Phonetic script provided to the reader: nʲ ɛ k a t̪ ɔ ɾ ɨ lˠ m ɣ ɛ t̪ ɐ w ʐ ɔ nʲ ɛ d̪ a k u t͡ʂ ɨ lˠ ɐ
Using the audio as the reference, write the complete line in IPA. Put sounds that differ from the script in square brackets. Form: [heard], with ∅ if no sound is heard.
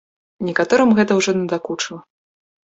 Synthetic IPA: nʲ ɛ k a t̪ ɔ ɾ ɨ [∅] m ɣ ɛ t̪ ɐ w ʐ ɔ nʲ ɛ d̪ a k u t͡ʂ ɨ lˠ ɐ